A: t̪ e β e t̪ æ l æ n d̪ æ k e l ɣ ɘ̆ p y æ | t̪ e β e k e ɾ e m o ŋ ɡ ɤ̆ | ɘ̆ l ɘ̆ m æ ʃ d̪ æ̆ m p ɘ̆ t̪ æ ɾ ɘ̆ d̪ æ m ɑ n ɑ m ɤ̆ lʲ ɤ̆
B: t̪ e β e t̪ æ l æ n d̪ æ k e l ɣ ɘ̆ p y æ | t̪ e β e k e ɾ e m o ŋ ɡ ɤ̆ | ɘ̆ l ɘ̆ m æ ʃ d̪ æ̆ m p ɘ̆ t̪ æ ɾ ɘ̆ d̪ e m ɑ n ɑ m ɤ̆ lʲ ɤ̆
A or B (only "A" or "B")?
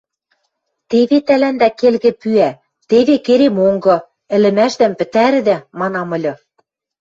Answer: A